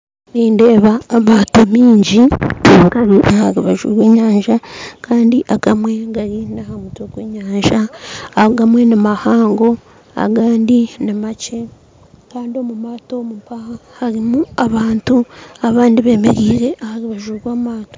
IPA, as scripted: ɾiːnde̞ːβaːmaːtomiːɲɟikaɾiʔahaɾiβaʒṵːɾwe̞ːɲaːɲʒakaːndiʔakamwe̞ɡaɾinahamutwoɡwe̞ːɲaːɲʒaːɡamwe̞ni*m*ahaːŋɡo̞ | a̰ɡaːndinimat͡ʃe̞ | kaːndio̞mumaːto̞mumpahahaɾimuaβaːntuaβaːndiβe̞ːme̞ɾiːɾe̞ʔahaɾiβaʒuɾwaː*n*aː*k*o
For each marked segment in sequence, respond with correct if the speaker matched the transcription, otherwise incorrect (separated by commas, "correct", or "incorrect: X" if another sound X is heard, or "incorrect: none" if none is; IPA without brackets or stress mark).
correct, incorrect: m, incorrect: t